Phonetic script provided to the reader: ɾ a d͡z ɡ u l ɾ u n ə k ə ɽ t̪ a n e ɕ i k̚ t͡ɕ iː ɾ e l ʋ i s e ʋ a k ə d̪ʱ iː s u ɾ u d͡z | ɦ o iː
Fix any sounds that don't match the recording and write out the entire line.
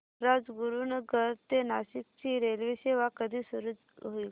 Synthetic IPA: ɾ a d͡z ɡ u ɾ u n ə ɡ ə ɾ t̪ e n a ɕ i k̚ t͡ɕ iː ɾ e l ʋ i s e ʋ a k ə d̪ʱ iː s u ɾ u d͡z | ɦ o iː